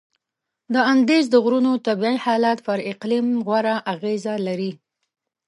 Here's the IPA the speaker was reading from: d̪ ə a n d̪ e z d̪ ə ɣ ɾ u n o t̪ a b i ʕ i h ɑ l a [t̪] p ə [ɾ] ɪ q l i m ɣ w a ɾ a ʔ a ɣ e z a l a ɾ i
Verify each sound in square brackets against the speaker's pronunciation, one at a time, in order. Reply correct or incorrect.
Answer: correct, correct

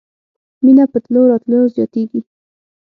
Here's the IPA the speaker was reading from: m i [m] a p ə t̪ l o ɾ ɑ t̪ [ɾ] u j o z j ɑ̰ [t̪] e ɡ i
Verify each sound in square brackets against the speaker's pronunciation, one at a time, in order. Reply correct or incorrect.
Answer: incorrect: n, incorrect: l, correct

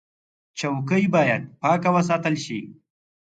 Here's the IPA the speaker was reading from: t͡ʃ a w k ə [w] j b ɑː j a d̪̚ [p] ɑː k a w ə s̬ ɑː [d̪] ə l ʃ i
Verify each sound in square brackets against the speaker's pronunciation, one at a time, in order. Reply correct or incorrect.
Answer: incorrect: none, correct, incorrect: t̪

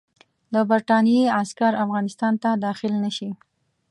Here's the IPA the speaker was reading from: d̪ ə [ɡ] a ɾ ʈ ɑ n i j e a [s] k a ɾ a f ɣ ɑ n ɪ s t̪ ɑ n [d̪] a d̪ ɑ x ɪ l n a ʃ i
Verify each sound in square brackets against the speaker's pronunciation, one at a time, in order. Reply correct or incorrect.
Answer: incorrect: b, correct, incorrect: t̪

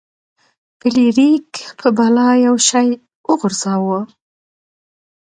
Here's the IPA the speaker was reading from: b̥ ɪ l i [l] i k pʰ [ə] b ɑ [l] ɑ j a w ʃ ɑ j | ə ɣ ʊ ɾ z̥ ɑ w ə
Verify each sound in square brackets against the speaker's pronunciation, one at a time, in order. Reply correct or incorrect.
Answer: incorrect: ɾ, correct, correct

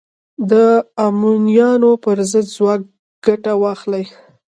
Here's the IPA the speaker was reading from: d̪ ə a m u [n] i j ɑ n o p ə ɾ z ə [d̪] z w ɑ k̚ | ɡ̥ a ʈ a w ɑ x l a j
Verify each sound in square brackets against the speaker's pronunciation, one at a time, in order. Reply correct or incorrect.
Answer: correct, correct

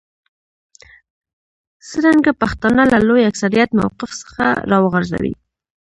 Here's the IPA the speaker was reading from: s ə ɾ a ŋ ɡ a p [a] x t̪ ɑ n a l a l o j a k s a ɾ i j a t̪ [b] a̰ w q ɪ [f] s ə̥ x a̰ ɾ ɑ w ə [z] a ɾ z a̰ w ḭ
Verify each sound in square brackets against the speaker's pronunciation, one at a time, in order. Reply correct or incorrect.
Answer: correct, incorrect: m, correct, incorrect: ɣ

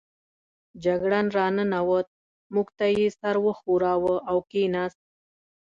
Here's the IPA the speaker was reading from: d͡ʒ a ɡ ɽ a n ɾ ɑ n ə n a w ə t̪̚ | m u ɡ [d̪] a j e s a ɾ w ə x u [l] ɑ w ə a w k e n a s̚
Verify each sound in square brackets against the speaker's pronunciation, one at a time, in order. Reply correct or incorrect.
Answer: incorrect: t̪, incorrect: ɾ

